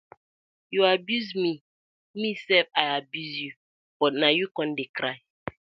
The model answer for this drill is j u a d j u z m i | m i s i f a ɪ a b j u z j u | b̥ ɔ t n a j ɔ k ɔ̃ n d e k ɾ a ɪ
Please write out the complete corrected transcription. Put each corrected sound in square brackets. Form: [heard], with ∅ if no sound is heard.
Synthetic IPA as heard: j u a [b] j u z m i | m i s [ɛ] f a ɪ a b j u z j u | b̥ ɔ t n a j [u] k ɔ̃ n d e k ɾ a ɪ